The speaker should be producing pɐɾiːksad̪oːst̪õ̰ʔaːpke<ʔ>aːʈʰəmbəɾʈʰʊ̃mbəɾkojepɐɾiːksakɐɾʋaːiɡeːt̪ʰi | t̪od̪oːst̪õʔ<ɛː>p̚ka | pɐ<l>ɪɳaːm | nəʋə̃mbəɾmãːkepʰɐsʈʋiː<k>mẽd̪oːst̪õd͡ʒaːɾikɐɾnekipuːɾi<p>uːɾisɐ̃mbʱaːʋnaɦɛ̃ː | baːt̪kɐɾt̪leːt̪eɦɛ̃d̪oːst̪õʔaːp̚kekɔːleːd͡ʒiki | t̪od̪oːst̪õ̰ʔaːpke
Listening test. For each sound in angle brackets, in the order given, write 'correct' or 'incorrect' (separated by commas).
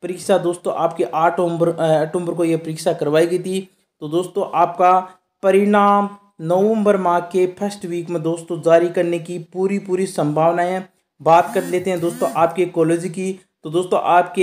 correct, incorrect, incorrect, correct, correct